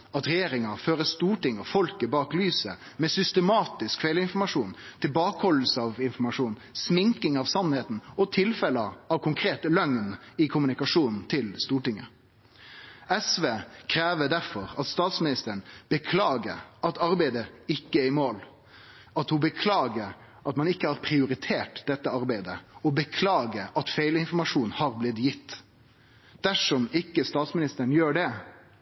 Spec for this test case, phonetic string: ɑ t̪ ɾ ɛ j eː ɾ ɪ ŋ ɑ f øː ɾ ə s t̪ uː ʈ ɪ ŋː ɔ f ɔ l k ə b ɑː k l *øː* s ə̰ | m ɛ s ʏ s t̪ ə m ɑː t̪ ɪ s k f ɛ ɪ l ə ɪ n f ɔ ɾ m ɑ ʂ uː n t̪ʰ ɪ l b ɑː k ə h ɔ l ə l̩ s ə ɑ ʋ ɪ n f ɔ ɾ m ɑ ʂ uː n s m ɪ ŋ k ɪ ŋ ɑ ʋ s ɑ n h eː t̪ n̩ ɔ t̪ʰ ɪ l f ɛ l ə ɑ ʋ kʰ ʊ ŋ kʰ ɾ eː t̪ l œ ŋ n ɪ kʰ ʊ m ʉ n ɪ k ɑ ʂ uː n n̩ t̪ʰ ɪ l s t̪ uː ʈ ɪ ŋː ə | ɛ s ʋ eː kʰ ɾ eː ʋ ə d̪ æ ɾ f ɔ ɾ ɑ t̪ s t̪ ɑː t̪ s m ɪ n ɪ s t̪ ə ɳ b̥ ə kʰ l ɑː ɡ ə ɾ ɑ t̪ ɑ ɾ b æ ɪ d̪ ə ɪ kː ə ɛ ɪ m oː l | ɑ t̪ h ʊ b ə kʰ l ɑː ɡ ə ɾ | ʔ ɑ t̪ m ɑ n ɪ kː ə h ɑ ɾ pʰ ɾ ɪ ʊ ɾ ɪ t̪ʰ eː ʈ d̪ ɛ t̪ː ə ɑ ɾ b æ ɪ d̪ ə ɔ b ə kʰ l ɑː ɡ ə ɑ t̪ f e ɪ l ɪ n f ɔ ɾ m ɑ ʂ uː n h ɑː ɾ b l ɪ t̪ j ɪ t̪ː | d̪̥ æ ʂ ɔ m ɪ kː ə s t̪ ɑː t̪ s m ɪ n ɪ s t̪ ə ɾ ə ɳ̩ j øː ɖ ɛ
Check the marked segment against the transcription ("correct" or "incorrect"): incorrect